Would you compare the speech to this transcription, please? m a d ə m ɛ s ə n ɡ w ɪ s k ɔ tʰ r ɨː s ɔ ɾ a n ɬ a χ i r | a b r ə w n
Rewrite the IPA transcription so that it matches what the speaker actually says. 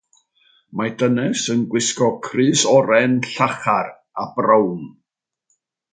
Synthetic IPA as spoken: m a d ə n ɛ s ə n ɡ w ɪ s k ɔ kʰ r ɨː s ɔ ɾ ɛ n ɬ a χ a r | a b r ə w n